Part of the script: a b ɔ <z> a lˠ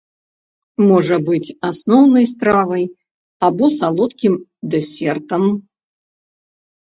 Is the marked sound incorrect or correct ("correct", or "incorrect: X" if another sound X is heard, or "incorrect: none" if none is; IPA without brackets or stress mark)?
incorrect: s